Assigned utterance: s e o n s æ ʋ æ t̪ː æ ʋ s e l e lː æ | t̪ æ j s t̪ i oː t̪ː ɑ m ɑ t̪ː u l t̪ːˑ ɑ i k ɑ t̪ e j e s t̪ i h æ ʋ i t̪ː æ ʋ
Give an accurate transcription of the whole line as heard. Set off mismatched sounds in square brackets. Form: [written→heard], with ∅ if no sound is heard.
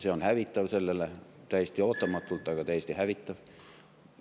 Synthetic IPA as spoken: s e o n [s→h] æ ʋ [æ→i] t̪ː æ ʋ s e [l→lː] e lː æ | t̪ æ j s t̪ i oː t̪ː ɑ m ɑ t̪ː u l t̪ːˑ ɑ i k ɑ t̪ [e→æ] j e s t̪ i h æ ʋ i t̪ː æ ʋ